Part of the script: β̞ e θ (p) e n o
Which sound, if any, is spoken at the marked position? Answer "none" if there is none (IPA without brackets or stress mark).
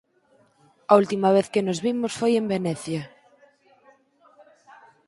k